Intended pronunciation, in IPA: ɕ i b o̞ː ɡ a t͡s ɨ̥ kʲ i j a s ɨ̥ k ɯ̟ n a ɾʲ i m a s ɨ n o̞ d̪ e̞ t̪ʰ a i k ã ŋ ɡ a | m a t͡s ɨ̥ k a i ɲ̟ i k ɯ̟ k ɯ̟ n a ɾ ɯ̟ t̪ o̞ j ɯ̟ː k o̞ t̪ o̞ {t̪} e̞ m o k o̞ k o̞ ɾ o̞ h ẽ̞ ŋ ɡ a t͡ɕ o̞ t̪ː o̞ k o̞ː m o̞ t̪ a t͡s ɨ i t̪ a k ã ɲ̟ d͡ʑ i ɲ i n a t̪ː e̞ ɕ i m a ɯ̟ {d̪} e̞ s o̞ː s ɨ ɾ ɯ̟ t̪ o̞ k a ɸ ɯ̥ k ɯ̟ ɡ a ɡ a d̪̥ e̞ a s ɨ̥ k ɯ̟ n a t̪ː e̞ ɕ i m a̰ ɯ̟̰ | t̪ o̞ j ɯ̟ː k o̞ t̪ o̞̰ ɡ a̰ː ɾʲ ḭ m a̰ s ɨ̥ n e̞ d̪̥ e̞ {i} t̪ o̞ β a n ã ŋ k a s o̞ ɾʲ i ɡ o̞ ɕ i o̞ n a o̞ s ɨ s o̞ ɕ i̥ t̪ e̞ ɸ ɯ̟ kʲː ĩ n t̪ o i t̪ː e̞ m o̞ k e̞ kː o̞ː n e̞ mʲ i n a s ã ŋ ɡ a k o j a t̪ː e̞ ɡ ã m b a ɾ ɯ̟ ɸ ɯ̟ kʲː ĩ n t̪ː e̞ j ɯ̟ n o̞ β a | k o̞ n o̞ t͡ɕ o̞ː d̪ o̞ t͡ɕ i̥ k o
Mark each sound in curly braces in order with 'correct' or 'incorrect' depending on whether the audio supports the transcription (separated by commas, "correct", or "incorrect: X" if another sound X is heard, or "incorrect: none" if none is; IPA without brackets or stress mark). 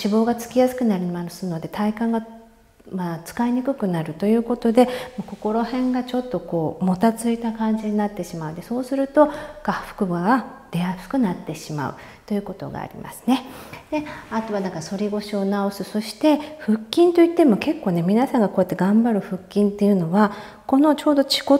incorrect: d̪, correct, incorrect: a